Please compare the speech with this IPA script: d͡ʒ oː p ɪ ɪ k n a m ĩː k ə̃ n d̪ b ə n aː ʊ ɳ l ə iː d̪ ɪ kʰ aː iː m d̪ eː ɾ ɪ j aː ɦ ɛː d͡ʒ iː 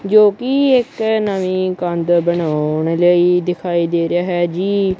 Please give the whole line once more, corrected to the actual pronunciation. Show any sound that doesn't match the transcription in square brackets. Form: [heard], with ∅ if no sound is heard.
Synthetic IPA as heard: d͡ʒ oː [k] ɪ ɪ k n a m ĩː k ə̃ n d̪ b ə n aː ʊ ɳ l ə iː d̪ ɪ kʰ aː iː [∅] d̪ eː ɾ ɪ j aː ɦ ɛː d͡ʒ iː